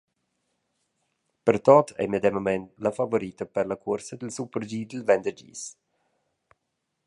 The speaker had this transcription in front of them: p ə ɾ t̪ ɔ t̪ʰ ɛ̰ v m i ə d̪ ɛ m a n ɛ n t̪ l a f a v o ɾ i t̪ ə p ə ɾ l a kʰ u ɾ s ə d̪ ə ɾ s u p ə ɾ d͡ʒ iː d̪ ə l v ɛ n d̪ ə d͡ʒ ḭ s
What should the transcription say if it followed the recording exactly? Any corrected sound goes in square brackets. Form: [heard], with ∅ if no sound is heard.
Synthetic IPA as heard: p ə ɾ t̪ ɔ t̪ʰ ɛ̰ [∅] m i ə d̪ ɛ m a [m] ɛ n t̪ l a f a v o ɾ i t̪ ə p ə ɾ l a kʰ u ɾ s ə d̪ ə [l] s u p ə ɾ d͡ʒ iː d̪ ə l v ɛ n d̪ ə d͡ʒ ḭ s